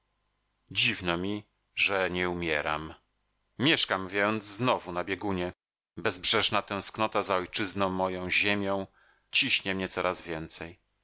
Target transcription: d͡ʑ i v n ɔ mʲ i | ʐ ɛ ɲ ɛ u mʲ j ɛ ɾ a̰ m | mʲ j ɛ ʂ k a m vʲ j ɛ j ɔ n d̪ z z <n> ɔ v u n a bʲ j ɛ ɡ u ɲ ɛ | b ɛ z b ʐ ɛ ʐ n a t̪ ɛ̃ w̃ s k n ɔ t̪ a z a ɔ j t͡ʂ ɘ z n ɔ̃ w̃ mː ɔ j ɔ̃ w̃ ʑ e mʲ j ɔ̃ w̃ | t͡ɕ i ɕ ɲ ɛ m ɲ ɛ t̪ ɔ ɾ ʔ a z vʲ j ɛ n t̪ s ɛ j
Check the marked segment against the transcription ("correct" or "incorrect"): correct